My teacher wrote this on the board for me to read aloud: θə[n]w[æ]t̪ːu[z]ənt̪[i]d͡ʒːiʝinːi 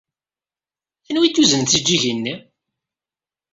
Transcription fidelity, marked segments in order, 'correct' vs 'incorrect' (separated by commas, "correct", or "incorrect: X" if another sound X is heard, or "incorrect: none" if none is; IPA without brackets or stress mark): correct, incorrect: i, correct, correct